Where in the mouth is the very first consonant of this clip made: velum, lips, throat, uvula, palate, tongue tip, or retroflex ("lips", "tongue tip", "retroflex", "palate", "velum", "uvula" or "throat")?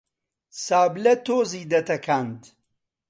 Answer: tongue tip